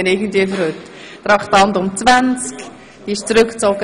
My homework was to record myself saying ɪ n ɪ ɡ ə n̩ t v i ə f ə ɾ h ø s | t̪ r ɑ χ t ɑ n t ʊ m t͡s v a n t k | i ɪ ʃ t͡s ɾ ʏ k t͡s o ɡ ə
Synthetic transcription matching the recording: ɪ n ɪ ɡ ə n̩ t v i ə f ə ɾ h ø t | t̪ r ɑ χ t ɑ n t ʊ m t͡s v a n t͡s k | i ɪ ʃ t͡s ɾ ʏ k t͡s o ɡ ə